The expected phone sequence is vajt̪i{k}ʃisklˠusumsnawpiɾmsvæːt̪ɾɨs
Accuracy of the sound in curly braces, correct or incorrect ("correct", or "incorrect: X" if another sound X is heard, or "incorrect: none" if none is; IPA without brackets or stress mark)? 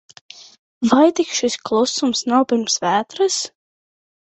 correct